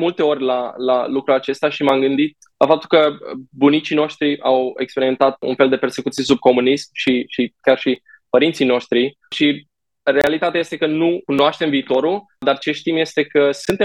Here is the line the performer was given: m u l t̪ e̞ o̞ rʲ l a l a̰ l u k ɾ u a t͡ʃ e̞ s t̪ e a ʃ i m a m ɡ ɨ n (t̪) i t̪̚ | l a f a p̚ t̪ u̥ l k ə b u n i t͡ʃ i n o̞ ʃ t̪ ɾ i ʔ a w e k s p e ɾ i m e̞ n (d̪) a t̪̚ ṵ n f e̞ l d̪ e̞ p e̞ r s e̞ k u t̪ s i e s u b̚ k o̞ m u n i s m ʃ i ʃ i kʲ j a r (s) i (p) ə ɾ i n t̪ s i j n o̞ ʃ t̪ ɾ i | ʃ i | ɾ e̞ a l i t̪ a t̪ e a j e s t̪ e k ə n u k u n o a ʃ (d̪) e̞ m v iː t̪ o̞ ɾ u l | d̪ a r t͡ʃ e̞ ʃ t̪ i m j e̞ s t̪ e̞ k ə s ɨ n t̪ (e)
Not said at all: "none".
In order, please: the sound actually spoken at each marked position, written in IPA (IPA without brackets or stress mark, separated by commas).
d̪, t̪, ʃ, p, t̪, e